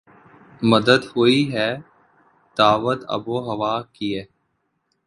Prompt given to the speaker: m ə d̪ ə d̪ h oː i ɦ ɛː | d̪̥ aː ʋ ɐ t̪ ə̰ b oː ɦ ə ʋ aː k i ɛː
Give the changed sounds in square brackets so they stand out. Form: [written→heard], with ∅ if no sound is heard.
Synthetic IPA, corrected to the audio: m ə d̪ ə d̪ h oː i ɦ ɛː | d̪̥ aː ʋ [ɐ→ə] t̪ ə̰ b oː ɦ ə ʋ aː k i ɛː